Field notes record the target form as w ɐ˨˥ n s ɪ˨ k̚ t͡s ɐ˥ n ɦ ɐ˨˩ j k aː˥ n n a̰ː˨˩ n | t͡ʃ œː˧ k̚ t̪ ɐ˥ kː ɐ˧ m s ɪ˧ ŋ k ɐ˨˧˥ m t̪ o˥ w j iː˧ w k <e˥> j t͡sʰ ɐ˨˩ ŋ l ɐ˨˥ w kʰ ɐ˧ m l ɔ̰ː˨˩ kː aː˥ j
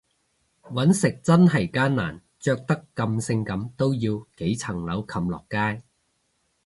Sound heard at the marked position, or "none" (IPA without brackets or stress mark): e˨˥